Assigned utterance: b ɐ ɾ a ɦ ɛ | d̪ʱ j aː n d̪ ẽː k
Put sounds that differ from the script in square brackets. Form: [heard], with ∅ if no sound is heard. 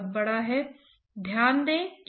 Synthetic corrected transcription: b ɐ [ɽ] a ɦ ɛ | d̪ʱ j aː n d̪ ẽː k